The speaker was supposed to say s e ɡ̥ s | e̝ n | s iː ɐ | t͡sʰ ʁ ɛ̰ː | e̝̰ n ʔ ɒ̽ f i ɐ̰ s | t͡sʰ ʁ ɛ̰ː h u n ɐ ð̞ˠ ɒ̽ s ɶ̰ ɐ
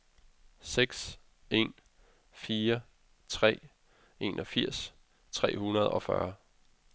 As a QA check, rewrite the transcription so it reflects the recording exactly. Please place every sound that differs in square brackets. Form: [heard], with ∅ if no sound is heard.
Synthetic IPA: s e ɡ̥ s | e̝ n | [f] iː ɐ | t͡sʰ ʁ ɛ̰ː | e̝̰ n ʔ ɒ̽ f i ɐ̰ s | t͡sʰ ʁ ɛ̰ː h u n ɐ ð̞ˠ ɒ̽ [f] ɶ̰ ɐ